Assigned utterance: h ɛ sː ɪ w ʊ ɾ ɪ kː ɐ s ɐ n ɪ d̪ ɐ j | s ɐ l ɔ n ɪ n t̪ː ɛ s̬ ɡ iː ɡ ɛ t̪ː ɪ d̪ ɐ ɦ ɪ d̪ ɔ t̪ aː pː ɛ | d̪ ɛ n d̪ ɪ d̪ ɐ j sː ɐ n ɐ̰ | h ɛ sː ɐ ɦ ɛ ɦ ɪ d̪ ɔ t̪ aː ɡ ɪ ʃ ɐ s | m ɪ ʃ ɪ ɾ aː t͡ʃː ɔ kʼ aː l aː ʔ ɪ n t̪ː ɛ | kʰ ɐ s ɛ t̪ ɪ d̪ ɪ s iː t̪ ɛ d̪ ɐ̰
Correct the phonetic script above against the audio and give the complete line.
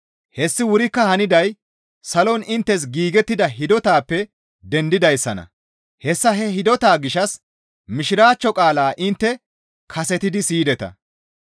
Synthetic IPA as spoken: h ɛ sː ɪ w ʊ ɾ ɪ kː ɐ h ɐ n ɪ d̪ ɐ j | s ɐ l ɔ n ɪ n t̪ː ɛ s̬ ɡ iː ɡ ɛ t̪ː ɪ d̪ ɐ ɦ ɪ d̪ ɔ t̪ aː pː ɛ | d̪ ɛ n d̪ ɪ d̪ ɐ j sː ɐ n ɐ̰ | h ɛ sː ɐ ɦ ɛ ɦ ɪ d̪ ɔ t̪ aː ɡ ɪ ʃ ɐ s | m ɪ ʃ ɪ ɾ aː t͡ʃː ɔ kʼ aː l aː ʔ ɪ n t̪ː ɛ | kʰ ɐ s ɛ t̪ ɪ d̪ ɪ s iː d̪ ɛ t̪ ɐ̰